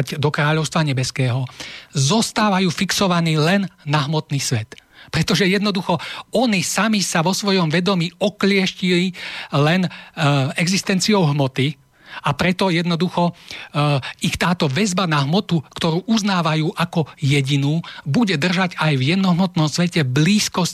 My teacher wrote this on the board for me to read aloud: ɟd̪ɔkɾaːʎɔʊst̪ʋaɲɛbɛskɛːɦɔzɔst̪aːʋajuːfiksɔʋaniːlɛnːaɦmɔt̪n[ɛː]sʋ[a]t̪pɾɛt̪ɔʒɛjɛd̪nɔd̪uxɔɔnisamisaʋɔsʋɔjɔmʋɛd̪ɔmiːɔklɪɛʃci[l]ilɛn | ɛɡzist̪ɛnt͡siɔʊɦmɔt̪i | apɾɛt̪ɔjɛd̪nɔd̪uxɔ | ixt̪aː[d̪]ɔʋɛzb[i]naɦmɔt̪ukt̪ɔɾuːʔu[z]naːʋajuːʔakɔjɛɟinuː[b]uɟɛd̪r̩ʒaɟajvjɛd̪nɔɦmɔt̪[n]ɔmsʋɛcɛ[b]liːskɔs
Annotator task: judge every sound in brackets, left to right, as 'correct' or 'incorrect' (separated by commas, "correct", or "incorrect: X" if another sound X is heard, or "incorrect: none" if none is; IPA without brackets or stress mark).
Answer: incorrect: iː, incorrect: ɛ, correct, incorrect: t̪, incorrect: a, correct, correct, correct, correct